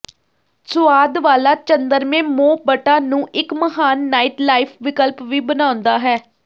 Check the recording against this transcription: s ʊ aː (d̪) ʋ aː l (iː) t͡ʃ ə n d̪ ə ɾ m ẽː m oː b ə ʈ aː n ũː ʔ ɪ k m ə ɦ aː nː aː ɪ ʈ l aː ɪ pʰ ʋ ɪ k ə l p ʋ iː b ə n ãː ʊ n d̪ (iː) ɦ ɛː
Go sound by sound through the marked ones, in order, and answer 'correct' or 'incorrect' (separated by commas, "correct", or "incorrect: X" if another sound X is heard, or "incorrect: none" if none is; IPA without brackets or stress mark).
correct, incorrect: aː, incorrect: aː